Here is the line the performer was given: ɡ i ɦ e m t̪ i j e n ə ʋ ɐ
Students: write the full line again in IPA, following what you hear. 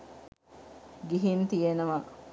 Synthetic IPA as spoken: ɡ i ɦ i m t̪ i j e n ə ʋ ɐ